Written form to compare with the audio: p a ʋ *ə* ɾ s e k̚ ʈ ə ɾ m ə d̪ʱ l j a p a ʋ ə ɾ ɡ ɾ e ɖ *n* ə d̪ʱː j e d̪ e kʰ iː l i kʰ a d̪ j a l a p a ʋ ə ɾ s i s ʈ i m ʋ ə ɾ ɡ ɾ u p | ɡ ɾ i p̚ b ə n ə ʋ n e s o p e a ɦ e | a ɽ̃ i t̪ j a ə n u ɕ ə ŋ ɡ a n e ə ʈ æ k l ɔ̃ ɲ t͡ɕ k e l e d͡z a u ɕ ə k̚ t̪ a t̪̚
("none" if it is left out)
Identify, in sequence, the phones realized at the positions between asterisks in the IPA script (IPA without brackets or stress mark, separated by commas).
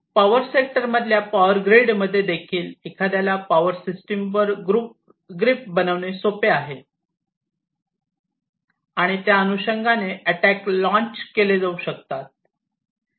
ə, m